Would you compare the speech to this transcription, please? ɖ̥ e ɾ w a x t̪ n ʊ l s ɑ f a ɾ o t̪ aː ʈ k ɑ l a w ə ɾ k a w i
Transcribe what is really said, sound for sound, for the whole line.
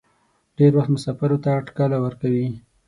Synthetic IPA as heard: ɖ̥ e ɾ w a x t̪ m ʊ s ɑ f a ɾ o t̪ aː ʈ k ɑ l a w ə ɾ k a w i